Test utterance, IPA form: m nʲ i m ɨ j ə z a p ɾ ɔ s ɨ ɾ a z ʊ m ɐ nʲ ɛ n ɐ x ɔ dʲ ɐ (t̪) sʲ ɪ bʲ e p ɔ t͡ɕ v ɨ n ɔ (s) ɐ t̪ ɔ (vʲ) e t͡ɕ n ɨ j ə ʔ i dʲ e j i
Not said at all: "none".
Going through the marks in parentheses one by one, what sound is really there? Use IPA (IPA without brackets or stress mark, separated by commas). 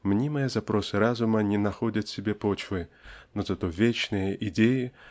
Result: t̪, z, vʲ